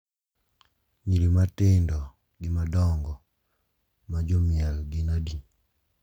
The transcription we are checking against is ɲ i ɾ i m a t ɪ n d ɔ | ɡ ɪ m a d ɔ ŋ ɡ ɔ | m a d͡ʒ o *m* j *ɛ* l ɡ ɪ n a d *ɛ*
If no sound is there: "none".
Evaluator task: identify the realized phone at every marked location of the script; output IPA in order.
m, a, i

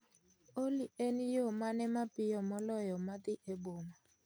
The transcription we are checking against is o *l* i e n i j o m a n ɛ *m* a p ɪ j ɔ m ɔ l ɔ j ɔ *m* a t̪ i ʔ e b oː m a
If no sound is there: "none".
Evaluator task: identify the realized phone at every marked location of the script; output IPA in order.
l, m, m

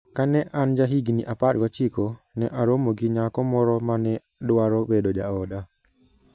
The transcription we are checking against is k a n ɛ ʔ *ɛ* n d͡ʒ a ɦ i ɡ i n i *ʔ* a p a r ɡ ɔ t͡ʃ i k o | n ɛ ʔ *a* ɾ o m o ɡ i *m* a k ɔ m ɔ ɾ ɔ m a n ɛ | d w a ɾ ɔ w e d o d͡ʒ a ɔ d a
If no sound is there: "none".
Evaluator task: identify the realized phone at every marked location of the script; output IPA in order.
a, ʔ, a, ɲ

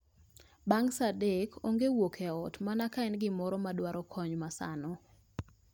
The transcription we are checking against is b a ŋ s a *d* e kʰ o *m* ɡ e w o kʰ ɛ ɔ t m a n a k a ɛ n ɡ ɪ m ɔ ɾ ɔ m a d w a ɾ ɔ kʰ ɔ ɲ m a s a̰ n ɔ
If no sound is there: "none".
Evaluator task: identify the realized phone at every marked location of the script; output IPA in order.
d, ŋ

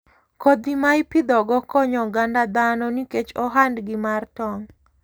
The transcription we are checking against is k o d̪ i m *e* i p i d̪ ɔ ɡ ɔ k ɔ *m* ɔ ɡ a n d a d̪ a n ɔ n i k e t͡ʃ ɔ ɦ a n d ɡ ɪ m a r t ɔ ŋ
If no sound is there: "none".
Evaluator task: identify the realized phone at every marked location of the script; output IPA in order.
a, ɲ

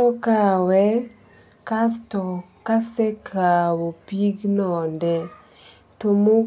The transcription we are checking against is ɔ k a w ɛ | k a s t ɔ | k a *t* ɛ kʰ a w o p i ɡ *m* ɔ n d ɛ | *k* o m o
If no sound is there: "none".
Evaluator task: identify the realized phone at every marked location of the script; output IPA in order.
s, n, t

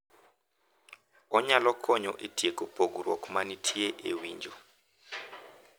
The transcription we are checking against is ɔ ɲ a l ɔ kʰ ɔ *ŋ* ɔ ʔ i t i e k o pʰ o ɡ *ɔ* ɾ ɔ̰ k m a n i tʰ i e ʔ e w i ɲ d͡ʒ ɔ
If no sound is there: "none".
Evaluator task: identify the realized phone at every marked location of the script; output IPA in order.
ɲ, u

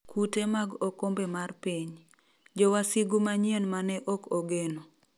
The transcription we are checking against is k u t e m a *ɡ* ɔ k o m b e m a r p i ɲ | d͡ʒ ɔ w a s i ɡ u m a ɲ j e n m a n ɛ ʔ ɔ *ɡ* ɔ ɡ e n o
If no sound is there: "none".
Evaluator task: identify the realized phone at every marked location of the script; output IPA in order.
ɡ, k

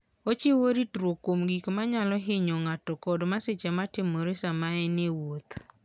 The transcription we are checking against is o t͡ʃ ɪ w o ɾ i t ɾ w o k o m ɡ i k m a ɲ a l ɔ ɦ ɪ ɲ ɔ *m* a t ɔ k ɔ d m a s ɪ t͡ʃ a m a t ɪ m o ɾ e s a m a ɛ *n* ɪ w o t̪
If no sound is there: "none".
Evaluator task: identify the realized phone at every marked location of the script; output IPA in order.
ŋ, n

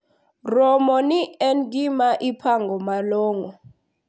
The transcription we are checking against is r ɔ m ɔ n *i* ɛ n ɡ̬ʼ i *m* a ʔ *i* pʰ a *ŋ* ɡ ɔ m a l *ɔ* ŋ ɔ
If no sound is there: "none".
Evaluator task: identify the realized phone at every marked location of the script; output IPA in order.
i, m, i, ŋ, ɔː

